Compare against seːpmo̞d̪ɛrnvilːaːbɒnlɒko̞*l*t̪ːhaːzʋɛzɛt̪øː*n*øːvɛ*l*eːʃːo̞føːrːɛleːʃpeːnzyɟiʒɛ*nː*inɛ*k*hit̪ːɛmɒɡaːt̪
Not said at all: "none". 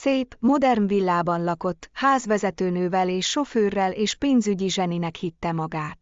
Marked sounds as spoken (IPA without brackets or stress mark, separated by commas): none, n, l, n, k